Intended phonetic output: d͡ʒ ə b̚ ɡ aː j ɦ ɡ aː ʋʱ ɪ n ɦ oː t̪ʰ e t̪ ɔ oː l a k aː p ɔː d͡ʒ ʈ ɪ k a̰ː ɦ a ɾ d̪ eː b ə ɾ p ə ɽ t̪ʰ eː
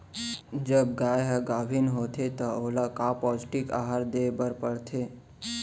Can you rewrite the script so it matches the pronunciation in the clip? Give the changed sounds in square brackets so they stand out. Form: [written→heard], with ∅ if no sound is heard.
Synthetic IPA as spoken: d͡ʒ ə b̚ ɡ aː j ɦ ɡ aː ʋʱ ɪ n ɦ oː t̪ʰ e t̪ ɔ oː l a k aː p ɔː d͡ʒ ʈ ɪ k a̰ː ɦ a ɾ d̪ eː b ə ɾ p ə ɽ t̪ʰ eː